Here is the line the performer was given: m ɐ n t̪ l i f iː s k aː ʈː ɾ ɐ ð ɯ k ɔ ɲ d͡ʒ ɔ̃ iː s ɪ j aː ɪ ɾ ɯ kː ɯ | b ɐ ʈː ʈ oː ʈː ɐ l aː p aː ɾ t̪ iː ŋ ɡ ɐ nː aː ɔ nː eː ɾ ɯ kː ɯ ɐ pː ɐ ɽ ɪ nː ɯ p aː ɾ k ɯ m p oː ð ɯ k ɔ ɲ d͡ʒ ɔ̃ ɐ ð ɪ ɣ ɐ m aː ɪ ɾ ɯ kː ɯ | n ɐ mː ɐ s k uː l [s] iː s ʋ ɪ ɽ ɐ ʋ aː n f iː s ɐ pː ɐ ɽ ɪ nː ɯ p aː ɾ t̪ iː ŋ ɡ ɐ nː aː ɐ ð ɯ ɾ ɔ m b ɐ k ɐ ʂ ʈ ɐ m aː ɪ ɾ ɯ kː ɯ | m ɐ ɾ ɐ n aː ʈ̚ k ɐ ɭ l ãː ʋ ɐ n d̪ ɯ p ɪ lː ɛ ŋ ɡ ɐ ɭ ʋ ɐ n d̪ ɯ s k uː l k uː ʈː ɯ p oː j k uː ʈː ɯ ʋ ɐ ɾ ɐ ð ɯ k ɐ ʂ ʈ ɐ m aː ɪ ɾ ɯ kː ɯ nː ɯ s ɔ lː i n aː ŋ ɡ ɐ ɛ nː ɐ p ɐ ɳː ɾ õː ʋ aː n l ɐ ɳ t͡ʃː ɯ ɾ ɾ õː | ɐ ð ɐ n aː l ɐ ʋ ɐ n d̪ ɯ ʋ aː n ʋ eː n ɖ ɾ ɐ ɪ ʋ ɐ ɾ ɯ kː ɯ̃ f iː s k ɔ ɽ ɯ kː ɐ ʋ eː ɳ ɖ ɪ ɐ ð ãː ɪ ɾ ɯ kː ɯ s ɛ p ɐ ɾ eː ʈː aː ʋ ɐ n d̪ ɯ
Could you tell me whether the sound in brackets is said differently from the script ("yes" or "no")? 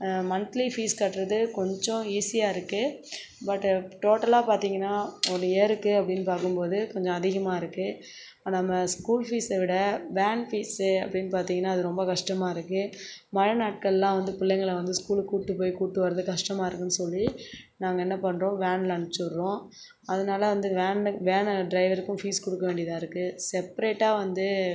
yes